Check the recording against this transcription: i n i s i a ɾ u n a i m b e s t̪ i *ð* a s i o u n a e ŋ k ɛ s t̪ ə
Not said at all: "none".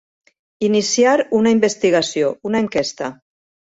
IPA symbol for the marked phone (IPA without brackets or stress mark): ɣ